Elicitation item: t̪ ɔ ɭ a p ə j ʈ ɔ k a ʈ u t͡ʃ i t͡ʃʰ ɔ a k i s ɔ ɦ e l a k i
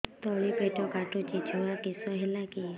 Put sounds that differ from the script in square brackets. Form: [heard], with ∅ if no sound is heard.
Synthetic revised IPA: t̪ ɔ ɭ [i] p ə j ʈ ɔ k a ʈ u t͡ʃ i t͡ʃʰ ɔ a k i s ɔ ɦ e l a k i